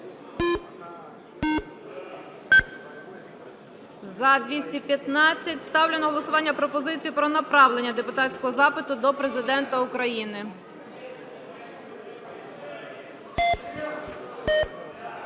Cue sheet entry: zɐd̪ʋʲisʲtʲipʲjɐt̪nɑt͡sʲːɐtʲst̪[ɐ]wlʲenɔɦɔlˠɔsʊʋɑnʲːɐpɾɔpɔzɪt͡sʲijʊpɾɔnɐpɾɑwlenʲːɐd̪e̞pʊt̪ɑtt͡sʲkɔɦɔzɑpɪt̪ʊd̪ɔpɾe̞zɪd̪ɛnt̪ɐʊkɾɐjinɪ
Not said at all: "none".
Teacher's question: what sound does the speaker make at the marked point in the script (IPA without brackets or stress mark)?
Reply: ɑ